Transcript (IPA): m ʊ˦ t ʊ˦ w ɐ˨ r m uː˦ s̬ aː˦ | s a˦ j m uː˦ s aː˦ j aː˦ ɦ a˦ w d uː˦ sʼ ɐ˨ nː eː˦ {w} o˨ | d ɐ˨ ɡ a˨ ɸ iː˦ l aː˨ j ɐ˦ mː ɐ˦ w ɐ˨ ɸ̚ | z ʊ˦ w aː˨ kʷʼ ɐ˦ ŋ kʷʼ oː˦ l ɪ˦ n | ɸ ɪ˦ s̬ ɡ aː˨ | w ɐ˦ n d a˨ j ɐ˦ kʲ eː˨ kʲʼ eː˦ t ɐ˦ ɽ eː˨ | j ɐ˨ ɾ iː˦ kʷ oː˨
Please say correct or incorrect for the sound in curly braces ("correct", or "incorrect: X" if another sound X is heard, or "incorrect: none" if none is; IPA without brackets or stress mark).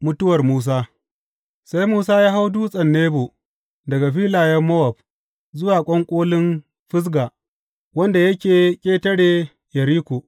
incorrect: b